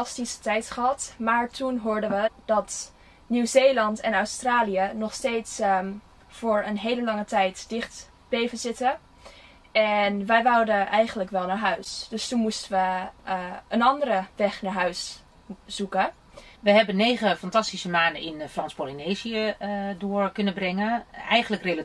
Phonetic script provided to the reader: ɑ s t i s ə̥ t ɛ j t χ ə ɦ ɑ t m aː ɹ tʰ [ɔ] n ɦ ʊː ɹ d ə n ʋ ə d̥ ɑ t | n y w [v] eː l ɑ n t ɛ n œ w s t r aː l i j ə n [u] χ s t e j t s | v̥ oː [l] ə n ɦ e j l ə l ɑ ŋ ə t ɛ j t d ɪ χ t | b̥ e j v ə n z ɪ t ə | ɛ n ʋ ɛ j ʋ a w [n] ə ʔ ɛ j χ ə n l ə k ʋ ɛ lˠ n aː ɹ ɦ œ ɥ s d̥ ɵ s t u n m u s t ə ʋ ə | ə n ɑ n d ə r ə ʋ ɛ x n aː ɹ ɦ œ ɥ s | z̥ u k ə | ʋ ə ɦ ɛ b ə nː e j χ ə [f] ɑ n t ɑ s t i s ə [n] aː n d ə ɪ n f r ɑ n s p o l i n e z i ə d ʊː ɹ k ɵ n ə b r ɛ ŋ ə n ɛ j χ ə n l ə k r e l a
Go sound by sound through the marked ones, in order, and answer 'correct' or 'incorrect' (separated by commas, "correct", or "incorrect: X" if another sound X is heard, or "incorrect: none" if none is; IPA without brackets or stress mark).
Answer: incorrect: u, incorrect: z, incorrect: ɔ, incorrect: ɹ, incorrect: d, correct, incorrect: m